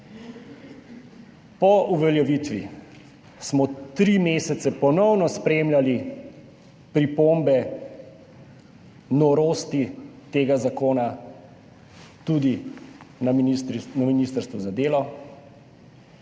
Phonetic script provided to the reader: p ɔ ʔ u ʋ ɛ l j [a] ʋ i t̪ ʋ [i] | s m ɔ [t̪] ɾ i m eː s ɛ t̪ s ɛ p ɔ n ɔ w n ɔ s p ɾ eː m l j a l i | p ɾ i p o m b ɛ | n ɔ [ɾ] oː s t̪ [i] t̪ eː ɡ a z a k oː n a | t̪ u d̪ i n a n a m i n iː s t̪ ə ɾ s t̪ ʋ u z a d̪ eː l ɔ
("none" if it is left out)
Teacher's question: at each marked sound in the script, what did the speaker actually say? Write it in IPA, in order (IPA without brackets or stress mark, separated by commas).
ɛ, i, t̪, ɾ, i